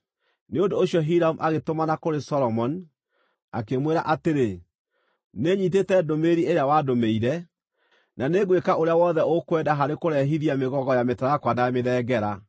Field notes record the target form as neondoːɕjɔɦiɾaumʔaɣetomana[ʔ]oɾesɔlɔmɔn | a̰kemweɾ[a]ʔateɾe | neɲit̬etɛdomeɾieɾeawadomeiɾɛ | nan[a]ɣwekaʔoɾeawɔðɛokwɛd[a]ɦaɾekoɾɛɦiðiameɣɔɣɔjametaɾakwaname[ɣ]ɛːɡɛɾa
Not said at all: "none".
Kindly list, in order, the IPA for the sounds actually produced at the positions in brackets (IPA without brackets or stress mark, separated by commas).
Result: k, a, e, a, ð